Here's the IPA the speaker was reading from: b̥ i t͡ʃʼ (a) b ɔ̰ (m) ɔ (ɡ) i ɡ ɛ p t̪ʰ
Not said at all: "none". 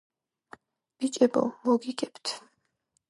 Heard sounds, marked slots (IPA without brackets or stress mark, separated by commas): ɛ, m, ɡ